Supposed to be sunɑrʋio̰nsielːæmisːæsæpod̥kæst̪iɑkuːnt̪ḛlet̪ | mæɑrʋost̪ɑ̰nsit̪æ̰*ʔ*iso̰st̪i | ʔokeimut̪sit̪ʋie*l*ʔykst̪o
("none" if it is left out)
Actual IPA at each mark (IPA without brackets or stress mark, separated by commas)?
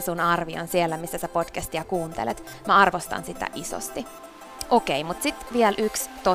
ʔ, l